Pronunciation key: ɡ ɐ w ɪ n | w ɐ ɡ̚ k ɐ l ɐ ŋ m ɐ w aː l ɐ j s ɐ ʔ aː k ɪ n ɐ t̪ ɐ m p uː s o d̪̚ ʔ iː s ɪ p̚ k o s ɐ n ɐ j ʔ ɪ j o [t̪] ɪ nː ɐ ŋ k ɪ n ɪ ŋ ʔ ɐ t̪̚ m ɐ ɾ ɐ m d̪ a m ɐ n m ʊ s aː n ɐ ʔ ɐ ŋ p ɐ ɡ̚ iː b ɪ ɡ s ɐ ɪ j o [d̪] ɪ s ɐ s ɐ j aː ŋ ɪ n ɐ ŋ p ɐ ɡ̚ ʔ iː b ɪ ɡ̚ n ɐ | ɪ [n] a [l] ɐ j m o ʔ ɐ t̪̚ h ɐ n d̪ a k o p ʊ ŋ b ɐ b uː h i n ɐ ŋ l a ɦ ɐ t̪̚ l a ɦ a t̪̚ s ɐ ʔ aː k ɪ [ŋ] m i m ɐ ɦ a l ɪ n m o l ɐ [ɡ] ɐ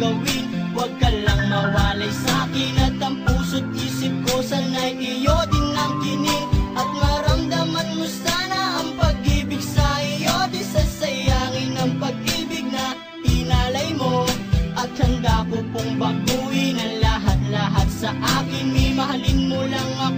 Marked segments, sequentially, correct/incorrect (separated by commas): incorrect, correct, correct, correct, incorrect, incorrect